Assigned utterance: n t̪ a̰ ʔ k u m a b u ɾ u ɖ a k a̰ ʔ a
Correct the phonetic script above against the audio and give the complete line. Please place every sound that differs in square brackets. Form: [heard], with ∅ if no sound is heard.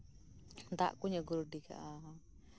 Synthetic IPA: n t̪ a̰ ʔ k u [ɲ] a [ɡ] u ɾ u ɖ [i] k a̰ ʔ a